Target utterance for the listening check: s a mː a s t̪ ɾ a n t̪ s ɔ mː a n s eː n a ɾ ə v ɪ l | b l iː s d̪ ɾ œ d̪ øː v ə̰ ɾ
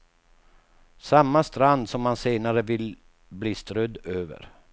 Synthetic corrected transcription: s a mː a s t̪ ɾ a n d̪ s ɔ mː a n s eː n a ɾ ə v ɪ l | b l iː s t̪ ɾ œ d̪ øː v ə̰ ɾ